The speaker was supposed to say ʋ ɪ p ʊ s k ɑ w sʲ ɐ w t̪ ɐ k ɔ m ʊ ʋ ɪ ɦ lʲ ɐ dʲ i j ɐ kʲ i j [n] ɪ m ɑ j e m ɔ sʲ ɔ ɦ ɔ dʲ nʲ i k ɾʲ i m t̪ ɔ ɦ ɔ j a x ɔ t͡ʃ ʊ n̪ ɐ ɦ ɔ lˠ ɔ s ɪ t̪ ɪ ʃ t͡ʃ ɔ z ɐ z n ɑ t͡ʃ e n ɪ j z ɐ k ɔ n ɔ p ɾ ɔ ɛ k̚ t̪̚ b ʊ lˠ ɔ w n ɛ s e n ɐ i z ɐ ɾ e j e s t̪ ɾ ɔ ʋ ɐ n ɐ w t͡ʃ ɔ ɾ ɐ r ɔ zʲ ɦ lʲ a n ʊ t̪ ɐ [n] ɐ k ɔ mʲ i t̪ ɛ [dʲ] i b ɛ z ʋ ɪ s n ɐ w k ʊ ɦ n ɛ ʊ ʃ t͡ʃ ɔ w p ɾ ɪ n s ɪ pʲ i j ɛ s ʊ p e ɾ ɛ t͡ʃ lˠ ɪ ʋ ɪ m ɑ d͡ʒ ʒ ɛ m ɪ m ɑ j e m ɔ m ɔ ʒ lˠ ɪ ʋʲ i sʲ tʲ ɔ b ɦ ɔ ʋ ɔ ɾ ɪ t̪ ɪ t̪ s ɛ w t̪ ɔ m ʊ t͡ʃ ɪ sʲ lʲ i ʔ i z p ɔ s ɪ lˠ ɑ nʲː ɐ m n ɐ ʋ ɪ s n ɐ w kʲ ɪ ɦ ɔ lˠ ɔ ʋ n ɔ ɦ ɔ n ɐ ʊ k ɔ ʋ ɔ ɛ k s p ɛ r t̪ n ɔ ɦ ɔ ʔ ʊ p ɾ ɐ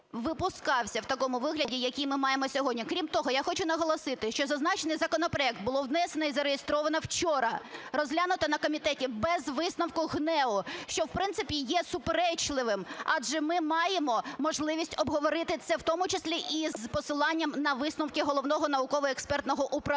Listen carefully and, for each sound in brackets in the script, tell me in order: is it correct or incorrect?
incorrect: m, correct, incorrect: tʲ

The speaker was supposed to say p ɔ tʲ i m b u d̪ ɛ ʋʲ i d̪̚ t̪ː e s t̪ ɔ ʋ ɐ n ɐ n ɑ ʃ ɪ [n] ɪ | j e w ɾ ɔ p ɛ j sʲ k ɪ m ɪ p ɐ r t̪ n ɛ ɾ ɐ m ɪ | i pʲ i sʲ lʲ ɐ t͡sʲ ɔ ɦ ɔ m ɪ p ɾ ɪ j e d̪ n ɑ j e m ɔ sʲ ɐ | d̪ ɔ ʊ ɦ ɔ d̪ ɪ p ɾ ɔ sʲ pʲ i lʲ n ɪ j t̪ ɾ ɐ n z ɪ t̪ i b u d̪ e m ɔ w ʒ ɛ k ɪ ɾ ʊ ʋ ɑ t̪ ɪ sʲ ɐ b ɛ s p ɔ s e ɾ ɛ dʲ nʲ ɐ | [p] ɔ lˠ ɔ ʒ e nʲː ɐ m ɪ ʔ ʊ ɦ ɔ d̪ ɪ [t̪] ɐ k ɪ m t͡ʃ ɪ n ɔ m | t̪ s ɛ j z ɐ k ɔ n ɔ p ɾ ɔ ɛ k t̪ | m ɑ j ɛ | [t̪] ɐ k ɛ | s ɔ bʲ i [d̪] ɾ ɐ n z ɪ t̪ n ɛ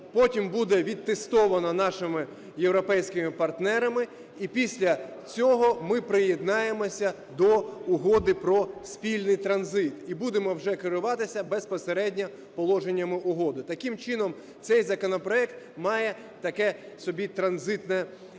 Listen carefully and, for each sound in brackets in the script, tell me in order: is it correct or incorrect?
incorrect: m, correct, correct, correct, incorrect: t̪

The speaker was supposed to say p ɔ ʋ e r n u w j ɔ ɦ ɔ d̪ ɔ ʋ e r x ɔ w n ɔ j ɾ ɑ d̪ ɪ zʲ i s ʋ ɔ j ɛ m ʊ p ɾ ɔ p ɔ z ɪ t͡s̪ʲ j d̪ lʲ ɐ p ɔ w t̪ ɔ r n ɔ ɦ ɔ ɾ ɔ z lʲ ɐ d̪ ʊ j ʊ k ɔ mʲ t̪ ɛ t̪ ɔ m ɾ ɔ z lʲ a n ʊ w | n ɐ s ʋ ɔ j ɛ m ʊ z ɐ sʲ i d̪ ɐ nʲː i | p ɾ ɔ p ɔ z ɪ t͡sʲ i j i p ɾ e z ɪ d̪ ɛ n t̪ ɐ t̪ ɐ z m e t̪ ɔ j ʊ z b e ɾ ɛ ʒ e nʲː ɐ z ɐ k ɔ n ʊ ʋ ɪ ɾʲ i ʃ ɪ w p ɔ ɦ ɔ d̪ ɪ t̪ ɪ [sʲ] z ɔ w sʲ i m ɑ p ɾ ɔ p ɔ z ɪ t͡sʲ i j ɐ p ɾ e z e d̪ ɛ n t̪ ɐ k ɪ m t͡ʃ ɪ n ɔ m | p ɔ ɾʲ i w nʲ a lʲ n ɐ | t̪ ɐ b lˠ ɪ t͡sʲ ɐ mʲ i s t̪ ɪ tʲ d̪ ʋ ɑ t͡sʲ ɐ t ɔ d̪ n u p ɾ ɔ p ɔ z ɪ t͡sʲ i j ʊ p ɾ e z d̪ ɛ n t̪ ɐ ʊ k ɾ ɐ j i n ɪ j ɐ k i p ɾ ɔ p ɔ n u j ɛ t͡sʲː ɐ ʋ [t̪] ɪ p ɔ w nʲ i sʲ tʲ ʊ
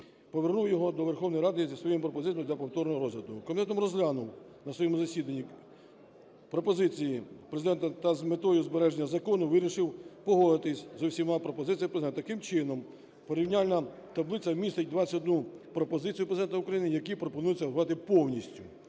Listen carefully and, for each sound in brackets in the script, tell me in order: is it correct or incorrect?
correct, correct

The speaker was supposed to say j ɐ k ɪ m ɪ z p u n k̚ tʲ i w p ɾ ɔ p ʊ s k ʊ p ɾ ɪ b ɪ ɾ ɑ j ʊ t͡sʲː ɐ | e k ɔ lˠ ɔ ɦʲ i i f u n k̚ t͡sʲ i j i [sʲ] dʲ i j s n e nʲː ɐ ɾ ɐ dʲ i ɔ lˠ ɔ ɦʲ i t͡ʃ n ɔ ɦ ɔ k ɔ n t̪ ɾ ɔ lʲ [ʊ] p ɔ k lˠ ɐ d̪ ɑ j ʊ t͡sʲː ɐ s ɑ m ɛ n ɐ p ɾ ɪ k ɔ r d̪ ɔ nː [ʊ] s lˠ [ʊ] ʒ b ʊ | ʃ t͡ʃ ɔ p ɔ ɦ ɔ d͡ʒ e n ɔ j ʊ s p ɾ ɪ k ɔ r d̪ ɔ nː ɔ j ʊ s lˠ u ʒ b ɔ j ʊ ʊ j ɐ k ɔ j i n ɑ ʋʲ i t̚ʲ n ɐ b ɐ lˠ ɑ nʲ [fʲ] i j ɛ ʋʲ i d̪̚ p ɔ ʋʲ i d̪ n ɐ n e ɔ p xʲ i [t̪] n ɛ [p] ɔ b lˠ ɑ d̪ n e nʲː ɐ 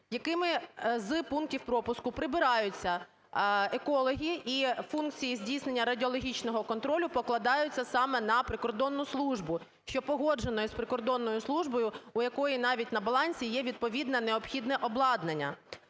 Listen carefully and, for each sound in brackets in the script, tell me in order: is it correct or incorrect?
incorrect: zʲ, correct, correct, incorrect: u, incorrect: sʲ, incorrect: d̪, incorrect: ʔ

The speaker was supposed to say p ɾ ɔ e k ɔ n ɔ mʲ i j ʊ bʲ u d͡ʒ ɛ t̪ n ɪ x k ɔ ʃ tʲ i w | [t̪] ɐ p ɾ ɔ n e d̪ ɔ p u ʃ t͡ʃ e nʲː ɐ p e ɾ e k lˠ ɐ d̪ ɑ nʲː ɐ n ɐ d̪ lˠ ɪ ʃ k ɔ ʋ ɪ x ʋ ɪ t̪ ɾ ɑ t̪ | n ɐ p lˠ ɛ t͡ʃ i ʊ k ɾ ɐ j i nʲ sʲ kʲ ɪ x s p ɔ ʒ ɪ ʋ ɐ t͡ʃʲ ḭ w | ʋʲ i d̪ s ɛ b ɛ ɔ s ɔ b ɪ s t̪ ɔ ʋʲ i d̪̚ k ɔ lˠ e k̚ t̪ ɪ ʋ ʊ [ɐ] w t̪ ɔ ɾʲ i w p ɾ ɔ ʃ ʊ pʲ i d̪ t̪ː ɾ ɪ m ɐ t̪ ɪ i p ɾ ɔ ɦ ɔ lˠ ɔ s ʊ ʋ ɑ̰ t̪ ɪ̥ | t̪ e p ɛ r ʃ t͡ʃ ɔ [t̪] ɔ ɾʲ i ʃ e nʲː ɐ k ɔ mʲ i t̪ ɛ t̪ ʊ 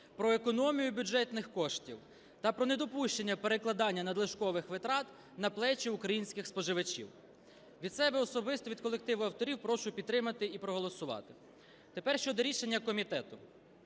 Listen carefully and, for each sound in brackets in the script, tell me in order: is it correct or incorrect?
correct, correct, incorrect: d̪

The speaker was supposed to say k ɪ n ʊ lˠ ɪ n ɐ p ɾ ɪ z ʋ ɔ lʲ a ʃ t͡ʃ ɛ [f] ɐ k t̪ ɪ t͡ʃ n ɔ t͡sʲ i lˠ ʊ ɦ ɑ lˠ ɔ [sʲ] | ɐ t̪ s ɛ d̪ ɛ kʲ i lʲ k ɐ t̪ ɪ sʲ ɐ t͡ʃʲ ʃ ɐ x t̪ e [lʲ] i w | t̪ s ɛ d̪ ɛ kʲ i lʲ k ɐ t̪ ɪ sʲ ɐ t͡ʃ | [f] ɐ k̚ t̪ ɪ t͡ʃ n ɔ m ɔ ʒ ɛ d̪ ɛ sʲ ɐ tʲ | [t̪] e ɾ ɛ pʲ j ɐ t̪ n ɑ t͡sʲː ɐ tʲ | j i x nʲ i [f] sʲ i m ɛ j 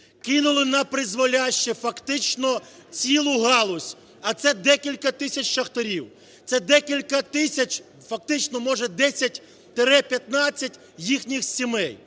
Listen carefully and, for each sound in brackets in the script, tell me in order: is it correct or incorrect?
correct, correct, incorrect: ɾʲ, correct, correct, incorrect: x

